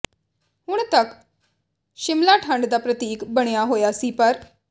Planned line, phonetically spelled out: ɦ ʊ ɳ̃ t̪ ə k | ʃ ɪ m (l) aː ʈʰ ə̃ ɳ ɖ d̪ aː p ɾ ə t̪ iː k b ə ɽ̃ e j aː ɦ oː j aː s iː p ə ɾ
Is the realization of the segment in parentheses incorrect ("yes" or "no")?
no